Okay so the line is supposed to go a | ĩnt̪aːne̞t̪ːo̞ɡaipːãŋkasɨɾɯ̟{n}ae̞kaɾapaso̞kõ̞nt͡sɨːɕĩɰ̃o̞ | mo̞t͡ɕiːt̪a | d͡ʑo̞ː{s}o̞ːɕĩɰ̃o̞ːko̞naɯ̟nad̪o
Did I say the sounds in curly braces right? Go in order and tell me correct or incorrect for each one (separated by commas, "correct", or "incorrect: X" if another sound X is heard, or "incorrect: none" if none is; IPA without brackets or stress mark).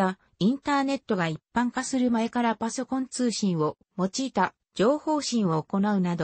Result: incorrect: m, incorrect: h